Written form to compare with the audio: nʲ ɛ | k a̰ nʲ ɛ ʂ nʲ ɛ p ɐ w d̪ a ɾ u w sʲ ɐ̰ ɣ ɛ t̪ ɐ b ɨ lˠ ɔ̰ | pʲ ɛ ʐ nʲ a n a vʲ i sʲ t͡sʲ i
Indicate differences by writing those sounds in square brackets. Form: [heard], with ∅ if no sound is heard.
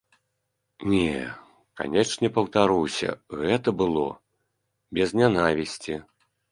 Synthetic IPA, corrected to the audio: nʲ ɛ | k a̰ nʲ ɛ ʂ nʲ ɛ p ɐ w [t̪] a ɾ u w sʲ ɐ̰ ɣ ɛ t̪ ɐ b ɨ lˠ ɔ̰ | [bʲ] ɛ [z] nʲ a n a vʲ i sʲ t͡sʲ i